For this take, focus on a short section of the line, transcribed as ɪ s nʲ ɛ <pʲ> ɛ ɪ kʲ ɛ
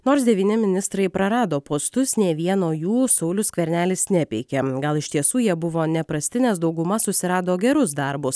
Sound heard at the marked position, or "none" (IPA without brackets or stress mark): pʲ